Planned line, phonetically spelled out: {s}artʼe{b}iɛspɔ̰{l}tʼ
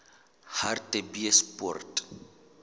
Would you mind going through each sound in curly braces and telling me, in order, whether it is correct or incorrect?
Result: incorrect: h, correct, incorrect: r

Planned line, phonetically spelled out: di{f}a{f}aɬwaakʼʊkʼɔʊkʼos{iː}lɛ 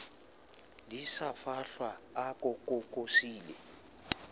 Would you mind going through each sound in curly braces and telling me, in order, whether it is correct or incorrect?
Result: incorrect: s, correct, correct

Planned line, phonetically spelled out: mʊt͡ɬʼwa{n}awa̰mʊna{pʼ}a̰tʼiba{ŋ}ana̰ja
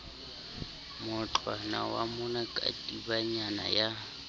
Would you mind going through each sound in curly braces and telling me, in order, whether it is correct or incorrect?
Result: correct, incorrect: kʼ, incorrect: ɲ

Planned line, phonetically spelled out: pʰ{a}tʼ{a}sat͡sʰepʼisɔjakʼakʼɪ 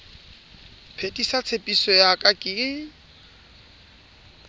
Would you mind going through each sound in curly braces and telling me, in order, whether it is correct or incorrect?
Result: incorrect: e, incorrect: i

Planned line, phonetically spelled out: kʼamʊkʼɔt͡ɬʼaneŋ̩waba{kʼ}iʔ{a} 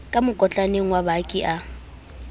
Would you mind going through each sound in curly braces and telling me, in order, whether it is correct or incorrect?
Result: correct, correct

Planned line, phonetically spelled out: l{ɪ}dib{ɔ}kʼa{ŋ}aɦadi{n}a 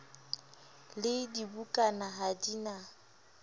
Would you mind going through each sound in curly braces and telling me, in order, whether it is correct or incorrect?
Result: correct, incorrect: u, incorrect: n, correct

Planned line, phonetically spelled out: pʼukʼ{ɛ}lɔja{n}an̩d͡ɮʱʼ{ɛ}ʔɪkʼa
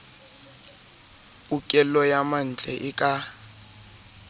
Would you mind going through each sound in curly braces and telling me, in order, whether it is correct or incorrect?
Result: correct, incorrect: m, correct

